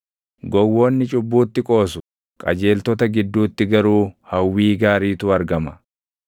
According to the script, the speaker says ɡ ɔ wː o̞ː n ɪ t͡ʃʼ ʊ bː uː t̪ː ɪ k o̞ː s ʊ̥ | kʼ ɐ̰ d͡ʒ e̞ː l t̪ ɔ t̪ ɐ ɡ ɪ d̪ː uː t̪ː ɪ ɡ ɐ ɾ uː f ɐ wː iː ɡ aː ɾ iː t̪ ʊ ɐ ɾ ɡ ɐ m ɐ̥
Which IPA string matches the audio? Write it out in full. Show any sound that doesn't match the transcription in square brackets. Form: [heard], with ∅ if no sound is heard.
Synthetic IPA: ɡ ɔ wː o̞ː [nː] ɪ t͡ʃʼ ʊ bː uː t̪ː ɪ [kʼ] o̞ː s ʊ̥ | kʼ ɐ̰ d͡ʒ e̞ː l t̪ ɔ t̪ ɐ ɡ ɪ d̪ː uː t̪ː ɪ ɡ ɐ ɾ uː [h] ɐ wː iː ɡ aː ɾ iː t̪ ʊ ɐ ɾ ɡ ɐ m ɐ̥